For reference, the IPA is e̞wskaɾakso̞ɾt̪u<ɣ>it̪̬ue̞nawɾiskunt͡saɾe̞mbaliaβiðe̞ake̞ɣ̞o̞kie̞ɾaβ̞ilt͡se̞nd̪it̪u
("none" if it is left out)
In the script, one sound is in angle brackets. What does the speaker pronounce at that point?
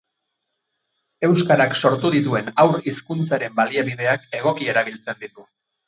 ð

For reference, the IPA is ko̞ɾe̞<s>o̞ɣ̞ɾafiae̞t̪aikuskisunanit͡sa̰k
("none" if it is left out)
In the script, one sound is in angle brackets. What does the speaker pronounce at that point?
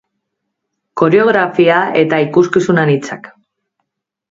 none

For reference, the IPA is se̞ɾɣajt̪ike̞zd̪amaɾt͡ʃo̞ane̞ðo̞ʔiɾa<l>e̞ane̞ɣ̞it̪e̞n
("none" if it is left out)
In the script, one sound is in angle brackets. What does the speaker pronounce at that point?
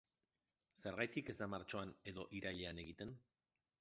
ʎ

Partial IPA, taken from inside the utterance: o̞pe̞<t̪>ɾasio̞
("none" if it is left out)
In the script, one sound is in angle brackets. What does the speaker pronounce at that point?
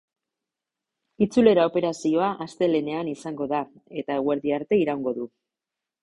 none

